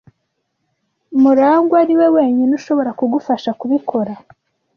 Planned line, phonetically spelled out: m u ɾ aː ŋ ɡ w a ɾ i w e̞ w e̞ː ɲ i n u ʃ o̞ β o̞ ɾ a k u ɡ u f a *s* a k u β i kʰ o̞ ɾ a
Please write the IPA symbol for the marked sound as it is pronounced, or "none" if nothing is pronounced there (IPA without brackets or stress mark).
ʃ